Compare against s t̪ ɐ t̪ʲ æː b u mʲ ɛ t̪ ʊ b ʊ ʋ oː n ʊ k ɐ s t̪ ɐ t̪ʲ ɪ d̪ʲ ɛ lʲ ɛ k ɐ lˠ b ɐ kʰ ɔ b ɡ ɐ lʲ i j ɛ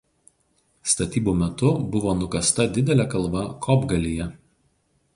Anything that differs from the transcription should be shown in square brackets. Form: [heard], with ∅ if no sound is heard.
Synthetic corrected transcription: s t̪ ɐ t̪ʲ [iː] b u mʲ ɛ t̪ ʊ b ʊ ʋ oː n ʊ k ɐ s t̪ ɐ [d̪ʲ] ɪ d̪ʲ ɛ lʲ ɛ k ɐ lˠ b ɐ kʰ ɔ b ɡ ɐ lʲ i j ɛ